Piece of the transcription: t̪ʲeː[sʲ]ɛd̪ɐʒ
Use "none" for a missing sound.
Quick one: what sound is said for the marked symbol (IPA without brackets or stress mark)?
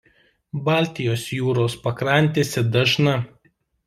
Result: sʲ